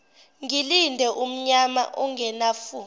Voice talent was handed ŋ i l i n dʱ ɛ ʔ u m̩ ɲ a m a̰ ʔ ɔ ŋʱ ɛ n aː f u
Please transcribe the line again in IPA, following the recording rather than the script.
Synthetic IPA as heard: ŋ i l i n dʱ ɛ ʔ u m̩ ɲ a m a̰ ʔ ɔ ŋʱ ɛ n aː f u